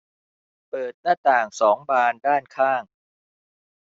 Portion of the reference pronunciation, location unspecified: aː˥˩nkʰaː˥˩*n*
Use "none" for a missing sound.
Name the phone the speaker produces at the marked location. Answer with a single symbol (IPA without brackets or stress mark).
ŋ